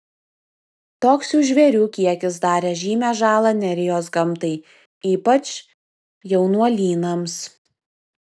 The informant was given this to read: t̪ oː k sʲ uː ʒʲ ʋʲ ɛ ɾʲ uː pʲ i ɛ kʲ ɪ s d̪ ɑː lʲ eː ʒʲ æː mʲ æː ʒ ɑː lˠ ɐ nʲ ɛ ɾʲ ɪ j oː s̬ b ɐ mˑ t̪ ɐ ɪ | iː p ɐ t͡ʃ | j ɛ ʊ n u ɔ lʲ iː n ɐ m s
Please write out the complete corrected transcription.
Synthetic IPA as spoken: t̪ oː k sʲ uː ʒʲ ʋʲ ɛ ɾʲ uː kʲ i ɛ kʲ ɪ s d̪ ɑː ɾʲ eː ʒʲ iː mʲ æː ʒ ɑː lˠ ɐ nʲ ɛ ɾʲ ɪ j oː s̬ ɡ ɐ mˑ t̪ ɐ ɪ | iː p ɐ t͡ʃ | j ɛ ʊ n u ɔ lʲ iː n ɐ m s